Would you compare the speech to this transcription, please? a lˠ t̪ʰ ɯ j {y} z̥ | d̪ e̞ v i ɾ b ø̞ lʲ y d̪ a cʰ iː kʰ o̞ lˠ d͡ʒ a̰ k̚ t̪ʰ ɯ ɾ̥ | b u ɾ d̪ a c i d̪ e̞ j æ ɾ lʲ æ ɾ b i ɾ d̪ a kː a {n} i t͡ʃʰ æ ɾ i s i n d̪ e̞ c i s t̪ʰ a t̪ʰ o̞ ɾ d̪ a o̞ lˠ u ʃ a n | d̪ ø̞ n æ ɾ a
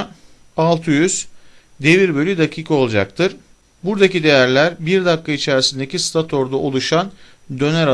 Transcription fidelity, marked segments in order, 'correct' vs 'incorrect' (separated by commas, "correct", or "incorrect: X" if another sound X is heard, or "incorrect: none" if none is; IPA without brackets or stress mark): correct, incorrect: none